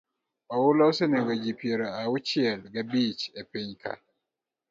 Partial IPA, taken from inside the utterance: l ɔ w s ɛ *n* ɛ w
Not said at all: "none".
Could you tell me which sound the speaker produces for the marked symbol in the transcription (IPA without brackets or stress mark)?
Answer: n